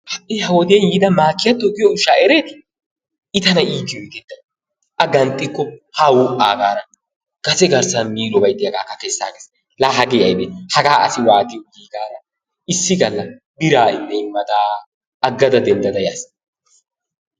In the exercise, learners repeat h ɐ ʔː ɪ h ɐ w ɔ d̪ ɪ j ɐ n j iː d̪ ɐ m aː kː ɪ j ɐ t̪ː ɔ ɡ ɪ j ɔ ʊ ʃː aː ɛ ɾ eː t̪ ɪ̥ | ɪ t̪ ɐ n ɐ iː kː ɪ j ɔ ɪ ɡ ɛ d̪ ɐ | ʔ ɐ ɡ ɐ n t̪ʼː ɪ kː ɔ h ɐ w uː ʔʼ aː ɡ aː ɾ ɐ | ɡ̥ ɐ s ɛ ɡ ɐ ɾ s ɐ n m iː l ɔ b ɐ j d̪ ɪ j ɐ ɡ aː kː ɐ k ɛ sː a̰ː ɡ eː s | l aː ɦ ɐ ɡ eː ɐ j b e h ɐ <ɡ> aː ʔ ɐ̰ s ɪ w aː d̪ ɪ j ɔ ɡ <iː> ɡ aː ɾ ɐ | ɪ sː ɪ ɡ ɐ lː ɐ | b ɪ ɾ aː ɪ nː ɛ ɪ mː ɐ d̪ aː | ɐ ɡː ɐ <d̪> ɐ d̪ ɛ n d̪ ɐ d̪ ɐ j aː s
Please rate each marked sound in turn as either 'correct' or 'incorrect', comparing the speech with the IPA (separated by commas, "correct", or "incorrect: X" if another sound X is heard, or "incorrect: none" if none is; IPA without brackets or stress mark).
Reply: correct, correct, correct